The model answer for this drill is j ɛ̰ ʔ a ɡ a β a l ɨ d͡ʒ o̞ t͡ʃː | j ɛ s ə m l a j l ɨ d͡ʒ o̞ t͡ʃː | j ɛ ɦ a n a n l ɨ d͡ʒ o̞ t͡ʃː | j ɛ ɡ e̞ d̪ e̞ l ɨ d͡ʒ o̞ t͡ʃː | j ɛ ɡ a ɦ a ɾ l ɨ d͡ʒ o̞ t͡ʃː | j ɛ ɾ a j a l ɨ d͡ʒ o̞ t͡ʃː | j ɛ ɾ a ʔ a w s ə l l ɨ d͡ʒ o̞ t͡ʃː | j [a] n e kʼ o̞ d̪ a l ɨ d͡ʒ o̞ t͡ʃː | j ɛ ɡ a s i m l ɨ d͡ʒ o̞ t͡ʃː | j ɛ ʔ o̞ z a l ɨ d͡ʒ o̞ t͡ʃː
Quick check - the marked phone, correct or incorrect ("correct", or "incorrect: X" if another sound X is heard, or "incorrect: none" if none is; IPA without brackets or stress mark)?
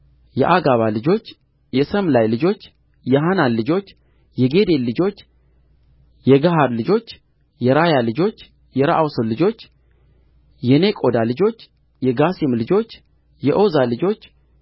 incorrect: ɛ